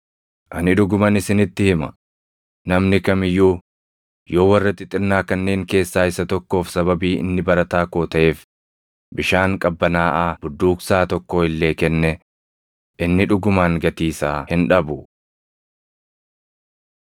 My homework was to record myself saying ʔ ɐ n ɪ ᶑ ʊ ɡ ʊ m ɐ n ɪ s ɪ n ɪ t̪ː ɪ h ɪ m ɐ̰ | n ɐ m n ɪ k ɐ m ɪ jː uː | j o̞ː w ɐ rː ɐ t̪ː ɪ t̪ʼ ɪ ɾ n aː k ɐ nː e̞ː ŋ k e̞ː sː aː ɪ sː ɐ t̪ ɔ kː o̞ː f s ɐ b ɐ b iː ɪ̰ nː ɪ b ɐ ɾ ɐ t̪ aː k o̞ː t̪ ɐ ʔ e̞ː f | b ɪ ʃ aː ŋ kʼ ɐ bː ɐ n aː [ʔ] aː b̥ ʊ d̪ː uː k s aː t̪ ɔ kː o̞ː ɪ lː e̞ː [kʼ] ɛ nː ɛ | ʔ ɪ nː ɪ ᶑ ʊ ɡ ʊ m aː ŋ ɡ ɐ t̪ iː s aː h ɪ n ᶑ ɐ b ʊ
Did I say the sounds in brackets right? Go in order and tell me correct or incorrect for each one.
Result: correct, incorrect: k

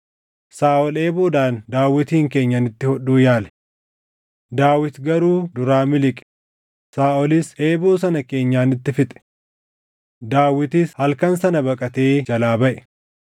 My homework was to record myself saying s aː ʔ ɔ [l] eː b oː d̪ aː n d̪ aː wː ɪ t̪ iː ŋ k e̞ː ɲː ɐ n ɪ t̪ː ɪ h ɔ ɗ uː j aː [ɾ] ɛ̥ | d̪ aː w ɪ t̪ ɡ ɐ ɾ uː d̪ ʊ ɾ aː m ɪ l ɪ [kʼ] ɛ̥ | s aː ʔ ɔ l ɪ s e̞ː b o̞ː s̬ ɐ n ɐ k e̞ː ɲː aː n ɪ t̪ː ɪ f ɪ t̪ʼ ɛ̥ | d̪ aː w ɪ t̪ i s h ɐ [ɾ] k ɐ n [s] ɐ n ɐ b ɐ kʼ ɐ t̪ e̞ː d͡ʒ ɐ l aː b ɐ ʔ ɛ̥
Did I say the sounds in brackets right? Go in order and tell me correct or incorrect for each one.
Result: correct, incorrect: l, correct, incorrect: l, correct

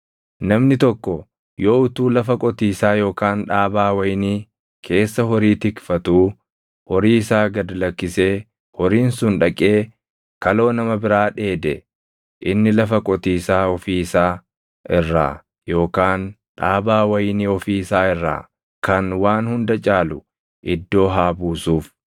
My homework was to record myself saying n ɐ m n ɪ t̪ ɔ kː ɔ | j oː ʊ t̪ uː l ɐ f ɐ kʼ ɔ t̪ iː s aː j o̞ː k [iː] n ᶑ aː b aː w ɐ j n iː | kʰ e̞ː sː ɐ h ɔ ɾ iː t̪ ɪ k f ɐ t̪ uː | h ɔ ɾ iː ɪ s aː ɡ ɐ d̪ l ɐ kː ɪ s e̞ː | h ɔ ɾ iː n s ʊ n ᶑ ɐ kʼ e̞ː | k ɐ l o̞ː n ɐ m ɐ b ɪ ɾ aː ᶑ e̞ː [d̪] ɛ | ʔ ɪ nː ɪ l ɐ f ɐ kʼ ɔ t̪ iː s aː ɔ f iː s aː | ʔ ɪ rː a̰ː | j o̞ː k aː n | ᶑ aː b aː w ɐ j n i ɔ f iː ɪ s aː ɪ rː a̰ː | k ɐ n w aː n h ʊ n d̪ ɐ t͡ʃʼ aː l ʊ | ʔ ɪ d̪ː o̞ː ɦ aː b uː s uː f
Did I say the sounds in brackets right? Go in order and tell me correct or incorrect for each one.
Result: incorrect: aː, correct

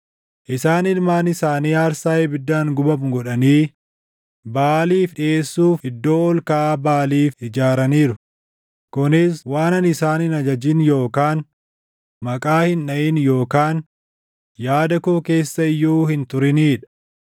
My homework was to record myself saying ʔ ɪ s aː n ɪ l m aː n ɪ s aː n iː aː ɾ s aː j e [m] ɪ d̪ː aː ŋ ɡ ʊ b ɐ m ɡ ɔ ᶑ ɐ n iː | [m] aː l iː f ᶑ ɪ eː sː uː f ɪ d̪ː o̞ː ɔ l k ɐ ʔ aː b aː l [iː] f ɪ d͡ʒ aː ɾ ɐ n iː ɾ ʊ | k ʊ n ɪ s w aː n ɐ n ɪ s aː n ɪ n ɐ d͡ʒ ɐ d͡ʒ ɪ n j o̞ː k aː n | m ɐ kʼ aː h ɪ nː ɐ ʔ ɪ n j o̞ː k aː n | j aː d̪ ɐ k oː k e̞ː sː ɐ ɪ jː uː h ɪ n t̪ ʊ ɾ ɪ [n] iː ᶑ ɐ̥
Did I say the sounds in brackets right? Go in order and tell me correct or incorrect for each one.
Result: incorrect: b, incorrect: b, correct, correct

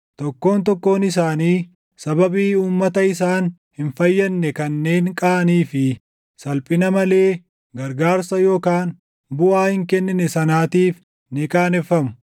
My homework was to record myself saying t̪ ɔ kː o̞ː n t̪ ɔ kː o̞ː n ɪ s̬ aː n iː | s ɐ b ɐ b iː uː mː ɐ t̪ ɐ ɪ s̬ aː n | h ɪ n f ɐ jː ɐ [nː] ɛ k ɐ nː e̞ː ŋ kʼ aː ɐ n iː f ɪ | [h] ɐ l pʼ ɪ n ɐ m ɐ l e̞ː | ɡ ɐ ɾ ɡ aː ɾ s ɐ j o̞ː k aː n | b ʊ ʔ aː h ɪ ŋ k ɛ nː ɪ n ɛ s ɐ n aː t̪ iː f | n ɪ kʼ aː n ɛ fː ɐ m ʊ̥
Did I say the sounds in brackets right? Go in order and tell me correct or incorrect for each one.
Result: correct, incorrect: s

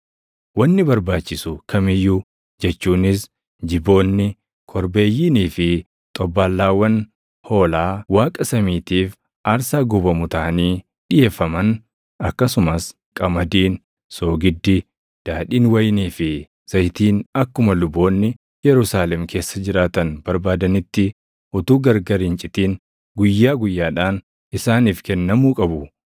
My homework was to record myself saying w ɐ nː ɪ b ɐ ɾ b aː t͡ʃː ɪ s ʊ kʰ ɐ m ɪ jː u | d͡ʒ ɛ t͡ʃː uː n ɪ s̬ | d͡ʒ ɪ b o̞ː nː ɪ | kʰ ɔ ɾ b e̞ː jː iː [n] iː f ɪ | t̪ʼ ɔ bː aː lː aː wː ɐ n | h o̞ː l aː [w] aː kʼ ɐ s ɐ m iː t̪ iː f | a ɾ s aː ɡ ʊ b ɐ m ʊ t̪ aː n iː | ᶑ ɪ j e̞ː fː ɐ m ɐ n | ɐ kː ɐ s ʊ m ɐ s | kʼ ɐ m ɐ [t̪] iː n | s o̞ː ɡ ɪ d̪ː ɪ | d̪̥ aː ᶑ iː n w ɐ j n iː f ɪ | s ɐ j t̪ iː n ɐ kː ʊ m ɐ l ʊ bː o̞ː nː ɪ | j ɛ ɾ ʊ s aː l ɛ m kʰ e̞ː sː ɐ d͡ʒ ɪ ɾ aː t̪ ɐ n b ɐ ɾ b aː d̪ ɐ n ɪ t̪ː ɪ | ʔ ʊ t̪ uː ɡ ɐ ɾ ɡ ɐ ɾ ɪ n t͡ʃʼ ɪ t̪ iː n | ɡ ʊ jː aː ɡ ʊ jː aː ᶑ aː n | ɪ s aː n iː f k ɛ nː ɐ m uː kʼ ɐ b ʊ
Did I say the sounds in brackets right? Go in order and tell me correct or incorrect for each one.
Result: correct, correct, incorrect: d̪

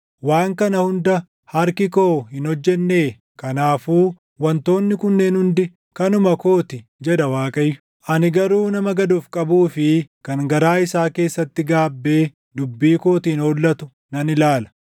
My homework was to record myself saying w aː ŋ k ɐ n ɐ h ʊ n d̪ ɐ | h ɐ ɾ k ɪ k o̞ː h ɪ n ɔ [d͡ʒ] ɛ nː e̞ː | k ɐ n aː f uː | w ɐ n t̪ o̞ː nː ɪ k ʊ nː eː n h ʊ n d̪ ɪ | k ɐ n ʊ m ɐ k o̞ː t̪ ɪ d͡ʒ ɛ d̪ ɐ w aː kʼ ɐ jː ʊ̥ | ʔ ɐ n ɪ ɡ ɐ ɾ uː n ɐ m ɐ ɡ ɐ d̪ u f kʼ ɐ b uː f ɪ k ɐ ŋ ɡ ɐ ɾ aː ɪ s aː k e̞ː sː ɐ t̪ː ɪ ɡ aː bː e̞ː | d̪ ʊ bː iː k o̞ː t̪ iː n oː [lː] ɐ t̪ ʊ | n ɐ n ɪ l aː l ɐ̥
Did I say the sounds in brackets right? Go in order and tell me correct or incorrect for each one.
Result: incorrect: d͡ʒː, correct

